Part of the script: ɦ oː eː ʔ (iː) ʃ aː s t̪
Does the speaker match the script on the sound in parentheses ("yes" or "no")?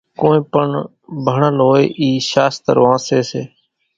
yes